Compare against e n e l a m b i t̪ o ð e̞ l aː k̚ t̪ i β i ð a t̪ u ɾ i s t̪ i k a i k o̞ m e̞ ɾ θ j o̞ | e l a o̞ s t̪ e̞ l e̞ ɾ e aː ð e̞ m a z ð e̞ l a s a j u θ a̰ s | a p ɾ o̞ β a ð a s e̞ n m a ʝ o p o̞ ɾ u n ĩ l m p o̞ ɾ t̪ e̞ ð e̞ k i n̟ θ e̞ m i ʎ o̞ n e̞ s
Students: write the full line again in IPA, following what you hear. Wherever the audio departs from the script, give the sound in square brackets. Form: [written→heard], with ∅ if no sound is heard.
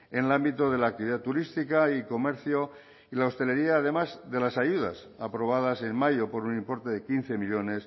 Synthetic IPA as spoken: e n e l a m b i t̪ o ð e̞ l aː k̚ t̪ i β i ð a t̪ u ɾ i s t̪ i k a i k o̞ m e̞ ɾ θ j o̞ | [e→i] l a o̞ s t̪ e̞ l e̞ ɾ [e→i] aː ð e̞ m a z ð e̞ l a s a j u [θ→ð] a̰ s | a p ɾ o̞ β a ð a s e̞ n m a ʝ o p o̞ ɾ u n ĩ [l→∅] m p o̞ ɾ t̪ e̞ ð e̞ k i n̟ θ e̞ m i ʎ o̞ n e̞ s